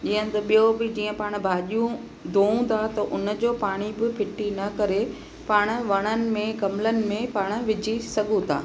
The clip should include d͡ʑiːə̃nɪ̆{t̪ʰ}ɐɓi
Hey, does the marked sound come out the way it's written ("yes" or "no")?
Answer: no